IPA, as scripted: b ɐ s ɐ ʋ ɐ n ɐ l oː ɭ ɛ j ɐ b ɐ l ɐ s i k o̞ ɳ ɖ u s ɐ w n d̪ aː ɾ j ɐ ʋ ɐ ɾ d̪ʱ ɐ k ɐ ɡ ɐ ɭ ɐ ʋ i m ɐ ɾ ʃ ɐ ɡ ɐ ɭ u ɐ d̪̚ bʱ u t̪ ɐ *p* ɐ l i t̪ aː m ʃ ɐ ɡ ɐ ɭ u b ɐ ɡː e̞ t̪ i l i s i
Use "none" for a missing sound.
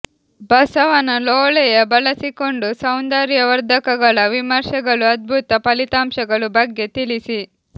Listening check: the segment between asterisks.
p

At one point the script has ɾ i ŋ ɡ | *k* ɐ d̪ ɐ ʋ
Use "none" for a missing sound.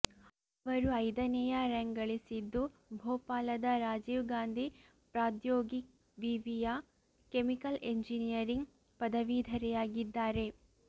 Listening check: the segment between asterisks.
p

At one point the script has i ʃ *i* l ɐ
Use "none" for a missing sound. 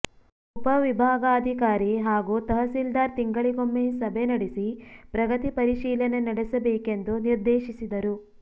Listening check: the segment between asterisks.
iː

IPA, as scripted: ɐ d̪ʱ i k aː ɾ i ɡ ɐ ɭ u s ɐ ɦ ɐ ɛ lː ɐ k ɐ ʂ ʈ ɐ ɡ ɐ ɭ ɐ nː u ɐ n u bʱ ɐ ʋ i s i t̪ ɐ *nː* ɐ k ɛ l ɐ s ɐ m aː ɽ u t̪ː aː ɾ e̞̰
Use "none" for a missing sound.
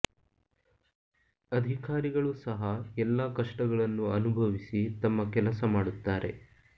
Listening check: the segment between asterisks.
mː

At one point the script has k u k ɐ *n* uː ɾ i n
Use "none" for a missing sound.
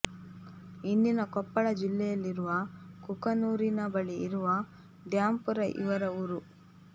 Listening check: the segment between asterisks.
n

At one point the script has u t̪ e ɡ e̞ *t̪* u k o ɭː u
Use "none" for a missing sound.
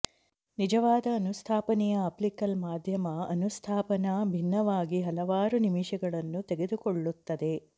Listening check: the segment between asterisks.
d̪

